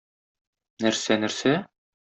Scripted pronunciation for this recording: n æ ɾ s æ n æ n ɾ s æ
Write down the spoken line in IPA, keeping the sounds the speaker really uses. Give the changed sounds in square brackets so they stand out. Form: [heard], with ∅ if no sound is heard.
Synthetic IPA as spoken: n æ ɾ s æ n æ [∅] ɾ s æ